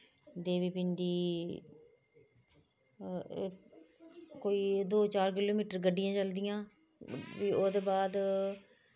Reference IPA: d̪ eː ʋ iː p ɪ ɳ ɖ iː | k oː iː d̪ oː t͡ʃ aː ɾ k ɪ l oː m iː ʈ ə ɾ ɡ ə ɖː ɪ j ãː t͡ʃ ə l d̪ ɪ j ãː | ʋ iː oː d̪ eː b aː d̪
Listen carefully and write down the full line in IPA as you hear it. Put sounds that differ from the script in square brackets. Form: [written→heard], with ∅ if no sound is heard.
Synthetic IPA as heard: d̪ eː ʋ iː p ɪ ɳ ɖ iː | k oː iː d̪ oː t͡ʃ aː ɾ k ɪ l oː m iː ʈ ə ɾ ɡ ə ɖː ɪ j ãː t͡ʃ ə l d̪ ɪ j ãː | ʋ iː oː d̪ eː b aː d̪